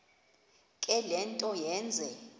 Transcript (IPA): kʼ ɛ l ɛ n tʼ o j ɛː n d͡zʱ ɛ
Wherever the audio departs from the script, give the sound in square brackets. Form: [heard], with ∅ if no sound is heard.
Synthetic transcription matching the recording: kʼ ɛ l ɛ n tʼ [ɔ] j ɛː n d͡zʱ ɛ